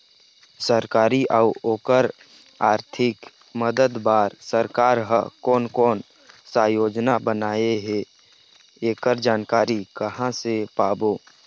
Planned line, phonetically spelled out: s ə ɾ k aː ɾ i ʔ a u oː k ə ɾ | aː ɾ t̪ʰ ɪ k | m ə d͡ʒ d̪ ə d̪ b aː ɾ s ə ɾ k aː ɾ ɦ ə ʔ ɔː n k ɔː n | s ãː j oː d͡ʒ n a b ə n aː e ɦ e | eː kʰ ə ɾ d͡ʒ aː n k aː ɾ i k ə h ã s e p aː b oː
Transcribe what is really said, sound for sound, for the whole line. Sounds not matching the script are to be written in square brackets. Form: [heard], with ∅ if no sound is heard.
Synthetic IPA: s ə ɾ k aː ɾ i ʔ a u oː k ə ɾ | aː ɾ t̪ʰ ɪ k | m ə [∅] d̪ ə d̪ b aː ɾ s ə ɾ k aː ɾ ɦ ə [k] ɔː n k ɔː n | s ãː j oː d͡ʒ n a b ə n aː e ɦ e | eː [k] ə ɾ d͡ʒ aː n k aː ɾ i k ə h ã s e p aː b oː